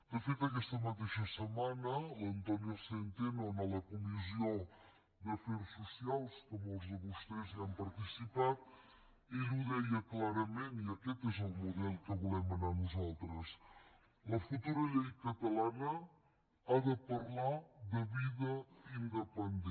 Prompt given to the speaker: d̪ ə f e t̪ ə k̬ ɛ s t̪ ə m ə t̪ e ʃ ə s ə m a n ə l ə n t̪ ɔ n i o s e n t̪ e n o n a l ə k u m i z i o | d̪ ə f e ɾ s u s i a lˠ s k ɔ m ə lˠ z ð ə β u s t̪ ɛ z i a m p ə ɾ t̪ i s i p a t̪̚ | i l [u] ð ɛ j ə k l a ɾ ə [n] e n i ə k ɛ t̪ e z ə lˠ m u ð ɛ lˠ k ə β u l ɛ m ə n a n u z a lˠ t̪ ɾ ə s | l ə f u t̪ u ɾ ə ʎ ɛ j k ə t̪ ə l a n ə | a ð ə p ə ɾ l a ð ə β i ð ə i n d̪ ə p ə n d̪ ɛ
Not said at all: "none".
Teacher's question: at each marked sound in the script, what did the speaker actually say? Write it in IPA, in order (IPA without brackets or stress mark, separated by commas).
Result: u, m